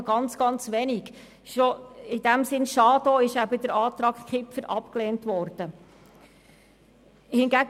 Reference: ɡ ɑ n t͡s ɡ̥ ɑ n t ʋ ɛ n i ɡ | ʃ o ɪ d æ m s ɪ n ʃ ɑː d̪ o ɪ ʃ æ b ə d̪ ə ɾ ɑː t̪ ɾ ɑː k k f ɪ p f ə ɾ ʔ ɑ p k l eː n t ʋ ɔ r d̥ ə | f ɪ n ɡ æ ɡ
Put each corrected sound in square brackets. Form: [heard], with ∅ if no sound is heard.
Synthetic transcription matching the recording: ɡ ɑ n t͡s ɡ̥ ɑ n [t͡s] ʋ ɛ n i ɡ | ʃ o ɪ d æ m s ɪ n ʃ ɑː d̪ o ɪ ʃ æ b ə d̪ ə ɾ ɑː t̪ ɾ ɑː k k [χ] ɪ p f ə ɾ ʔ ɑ p k l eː n t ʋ ɔ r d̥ ə | [h] ɪ n ɡ æ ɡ